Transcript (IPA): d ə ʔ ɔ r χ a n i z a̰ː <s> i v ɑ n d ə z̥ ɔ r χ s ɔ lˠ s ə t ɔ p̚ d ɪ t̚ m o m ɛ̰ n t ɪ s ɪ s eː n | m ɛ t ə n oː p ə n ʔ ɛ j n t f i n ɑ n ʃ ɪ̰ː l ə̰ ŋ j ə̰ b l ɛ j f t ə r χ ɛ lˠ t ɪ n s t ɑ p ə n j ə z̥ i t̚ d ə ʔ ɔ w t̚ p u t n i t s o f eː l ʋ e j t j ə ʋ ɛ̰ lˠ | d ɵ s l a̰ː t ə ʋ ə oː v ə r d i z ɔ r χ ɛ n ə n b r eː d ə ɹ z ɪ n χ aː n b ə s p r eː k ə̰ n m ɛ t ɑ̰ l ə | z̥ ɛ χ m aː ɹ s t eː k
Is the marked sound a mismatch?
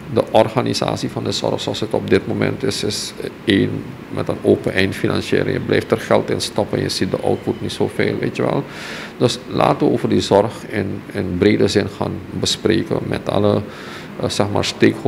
no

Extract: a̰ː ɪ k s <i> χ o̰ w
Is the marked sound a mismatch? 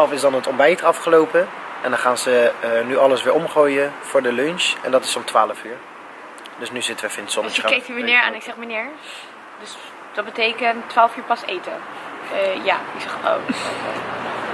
yes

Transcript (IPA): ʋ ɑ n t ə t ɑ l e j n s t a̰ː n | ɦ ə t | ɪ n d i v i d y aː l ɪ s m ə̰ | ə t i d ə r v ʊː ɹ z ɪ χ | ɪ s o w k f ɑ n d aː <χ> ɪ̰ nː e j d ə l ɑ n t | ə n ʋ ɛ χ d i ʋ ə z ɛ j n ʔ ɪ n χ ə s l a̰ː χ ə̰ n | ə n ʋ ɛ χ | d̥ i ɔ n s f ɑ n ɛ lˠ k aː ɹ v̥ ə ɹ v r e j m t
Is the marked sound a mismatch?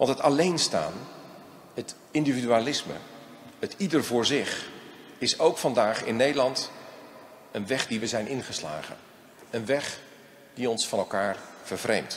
no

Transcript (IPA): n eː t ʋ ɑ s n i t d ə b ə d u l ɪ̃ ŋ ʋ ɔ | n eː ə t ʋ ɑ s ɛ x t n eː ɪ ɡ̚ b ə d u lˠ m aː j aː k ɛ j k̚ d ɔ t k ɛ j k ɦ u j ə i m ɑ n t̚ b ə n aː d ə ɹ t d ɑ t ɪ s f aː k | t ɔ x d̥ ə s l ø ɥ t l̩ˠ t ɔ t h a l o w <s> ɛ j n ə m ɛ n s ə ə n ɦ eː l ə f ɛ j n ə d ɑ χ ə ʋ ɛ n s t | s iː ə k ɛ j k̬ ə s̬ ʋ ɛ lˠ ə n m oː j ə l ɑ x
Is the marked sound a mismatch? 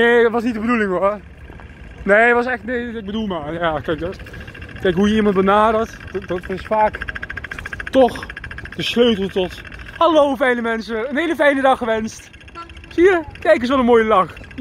yes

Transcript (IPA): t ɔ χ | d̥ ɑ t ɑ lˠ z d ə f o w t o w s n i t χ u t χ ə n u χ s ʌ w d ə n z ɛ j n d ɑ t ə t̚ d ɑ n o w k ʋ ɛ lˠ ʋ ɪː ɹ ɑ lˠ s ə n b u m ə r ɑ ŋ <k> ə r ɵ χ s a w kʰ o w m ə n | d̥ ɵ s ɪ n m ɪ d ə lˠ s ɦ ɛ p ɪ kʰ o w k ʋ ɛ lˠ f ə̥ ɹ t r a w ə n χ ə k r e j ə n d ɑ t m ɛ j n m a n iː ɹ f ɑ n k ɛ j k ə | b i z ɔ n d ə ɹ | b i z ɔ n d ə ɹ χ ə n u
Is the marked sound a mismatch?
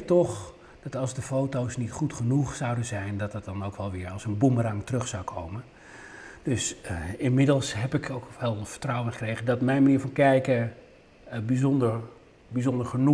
yes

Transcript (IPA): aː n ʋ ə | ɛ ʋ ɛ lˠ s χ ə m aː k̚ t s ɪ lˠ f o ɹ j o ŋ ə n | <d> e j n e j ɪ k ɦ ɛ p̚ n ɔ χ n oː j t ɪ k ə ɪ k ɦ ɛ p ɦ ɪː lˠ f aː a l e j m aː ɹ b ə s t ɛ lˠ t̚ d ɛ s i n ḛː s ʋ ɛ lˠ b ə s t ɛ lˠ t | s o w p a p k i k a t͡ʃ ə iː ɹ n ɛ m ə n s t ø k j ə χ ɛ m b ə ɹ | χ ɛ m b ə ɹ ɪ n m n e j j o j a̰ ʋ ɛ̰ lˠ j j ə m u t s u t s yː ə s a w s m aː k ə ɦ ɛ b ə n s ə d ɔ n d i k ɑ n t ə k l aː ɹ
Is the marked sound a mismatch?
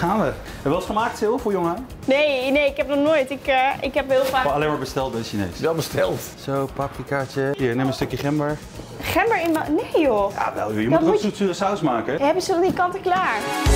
yes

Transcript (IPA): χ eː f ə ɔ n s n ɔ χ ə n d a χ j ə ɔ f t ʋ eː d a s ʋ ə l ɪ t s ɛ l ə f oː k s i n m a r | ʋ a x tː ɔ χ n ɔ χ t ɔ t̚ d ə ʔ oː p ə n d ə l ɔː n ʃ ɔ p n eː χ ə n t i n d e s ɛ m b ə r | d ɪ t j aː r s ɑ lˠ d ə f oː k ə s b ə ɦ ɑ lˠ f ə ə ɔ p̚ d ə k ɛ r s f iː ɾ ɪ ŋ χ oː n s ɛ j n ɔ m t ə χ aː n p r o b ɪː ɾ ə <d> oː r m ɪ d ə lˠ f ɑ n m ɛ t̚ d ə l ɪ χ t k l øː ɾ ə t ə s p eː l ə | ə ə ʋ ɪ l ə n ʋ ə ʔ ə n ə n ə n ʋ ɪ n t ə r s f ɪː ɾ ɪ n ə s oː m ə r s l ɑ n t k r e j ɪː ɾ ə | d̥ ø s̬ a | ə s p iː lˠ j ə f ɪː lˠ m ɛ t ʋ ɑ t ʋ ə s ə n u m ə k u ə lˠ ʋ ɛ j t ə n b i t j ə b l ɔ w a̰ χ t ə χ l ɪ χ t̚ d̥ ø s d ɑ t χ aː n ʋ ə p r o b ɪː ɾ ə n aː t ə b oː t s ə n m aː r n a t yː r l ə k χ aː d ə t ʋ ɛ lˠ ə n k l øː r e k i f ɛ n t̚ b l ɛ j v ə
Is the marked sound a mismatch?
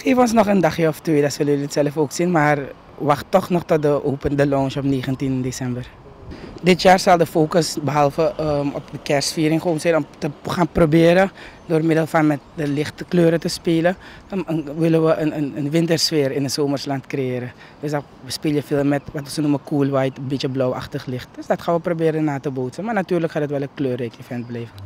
no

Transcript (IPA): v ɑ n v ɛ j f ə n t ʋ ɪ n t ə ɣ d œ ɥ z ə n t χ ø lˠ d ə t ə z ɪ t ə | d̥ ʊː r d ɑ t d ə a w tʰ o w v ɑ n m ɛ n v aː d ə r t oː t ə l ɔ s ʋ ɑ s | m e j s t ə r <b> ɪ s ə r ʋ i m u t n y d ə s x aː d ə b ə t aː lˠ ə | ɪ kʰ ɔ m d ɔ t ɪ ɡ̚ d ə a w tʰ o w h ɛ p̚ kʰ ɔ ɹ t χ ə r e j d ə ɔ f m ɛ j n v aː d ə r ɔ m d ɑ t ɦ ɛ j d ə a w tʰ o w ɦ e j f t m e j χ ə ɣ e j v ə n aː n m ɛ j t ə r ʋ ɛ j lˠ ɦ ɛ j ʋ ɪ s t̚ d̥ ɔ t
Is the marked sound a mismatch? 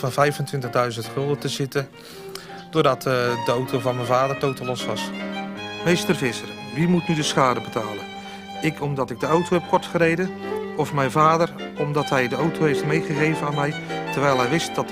yes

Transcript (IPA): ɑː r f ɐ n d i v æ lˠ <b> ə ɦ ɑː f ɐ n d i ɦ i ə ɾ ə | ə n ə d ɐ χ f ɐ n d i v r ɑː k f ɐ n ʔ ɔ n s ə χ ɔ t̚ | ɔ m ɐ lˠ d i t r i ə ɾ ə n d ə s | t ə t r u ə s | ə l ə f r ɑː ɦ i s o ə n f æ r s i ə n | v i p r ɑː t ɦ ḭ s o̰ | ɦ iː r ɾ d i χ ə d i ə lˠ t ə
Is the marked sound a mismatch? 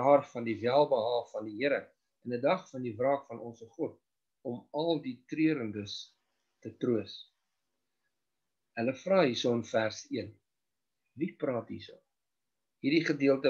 no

